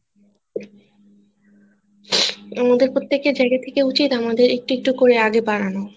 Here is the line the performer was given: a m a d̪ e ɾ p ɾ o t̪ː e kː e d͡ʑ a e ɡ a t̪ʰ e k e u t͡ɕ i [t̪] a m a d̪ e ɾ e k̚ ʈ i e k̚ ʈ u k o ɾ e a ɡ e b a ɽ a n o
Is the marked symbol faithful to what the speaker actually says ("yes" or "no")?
yes